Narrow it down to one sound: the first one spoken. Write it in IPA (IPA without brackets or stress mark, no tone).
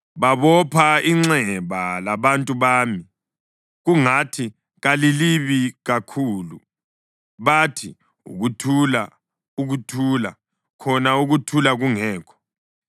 β